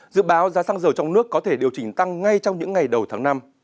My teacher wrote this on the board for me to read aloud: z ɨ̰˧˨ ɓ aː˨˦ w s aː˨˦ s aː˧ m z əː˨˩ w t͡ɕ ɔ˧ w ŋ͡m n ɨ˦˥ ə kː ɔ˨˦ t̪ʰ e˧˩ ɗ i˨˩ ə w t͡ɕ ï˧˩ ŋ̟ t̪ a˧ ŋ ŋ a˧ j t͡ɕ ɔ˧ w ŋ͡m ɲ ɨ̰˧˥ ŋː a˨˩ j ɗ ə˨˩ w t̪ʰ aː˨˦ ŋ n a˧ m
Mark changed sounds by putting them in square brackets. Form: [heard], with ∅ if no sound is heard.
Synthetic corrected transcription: z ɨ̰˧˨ ɓ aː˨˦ w [z] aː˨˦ s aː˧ [ŋ] z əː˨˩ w t͡ɕ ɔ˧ w ŋ͡m n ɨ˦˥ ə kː ɔ˨˦ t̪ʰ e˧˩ ɗ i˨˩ ə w t͡ɕ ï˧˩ ŋ̟ t̪ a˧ ŋ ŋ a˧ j t͡ɕ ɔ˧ w ŋ͡m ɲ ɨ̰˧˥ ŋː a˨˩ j ɗ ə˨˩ w t̪ʰ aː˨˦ ŋ n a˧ m